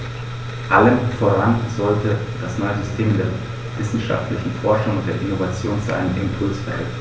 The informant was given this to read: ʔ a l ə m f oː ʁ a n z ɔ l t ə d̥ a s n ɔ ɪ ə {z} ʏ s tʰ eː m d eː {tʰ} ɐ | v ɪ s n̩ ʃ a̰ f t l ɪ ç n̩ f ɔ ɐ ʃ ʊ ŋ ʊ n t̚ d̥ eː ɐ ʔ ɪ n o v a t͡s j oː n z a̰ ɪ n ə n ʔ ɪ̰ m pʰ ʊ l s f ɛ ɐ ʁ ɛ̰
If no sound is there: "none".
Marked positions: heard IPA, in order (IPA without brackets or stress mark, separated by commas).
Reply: z, none